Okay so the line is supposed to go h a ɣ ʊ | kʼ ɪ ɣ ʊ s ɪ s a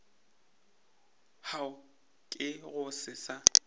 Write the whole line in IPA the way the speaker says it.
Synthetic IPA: h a ʊ | kʼ ɪ ɣ ʊ s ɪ s a